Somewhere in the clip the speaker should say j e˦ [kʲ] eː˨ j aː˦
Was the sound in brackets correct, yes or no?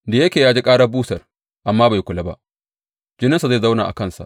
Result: yes